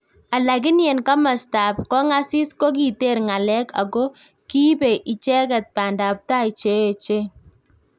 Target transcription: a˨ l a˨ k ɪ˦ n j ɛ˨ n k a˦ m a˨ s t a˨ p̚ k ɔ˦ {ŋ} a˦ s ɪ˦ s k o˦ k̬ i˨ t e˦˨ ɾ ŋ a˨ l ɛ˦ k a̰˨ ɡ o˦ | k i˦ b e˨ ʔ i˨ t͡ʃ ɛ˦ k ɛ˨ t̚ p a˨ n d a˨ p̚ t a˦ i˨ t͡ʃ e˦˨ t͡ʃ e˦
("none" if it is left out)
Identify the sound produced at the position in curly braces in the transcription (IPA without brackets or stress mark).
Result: ŋ